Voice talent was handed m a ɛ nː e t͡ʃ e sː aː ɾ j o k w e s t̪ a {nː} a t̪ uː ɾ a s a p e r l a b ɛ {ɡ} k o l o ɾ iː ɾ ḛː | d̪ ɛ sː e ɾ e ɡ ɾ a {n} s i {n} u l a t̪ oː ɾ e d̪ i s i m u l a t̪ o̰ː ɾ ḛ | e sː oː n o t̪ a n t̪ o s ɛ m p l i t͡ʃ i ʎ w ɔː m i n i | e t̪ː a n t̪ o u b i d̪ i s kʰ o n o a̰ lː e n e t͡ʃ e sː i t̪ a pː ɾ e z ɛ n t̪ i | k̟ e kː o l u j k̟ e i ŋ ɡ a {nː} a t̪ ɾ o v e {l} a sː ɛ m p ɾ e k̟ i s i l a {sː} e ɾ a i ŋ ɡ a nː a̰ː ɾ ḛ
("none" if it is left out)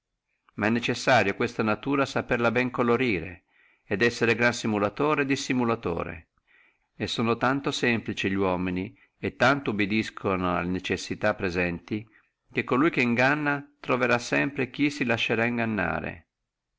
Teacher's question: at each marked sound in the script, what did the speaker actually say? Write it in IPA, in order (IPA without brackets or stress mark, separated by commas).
n, ŋ, n, m, nː, ɾ, ʃː